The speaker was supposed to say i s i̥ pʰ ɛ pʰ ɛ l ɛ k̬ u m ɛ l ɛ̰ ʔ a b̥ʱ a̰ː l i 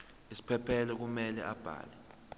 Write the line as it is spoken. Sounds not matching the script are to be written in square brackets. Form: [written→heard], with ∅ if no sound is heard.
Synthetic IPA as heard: i s i̥ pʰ ɛ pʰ ɛ l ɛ k̬ u m ɛ l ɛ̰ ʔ a b̥ʱ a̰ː l [i→ɛ]